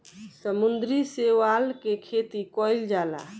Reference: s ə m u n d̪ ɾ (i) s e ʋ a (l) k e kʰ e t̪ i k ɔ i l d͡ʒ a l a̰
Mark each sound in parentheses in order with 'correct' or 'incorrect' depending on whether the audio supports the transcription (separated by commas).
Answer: correct, correct